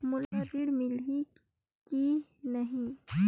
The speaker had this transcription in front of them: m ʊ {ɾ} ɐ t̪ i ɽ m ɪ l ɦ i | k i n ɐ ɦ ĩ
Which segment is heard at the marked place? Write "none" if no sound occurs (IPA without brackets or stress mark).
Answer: l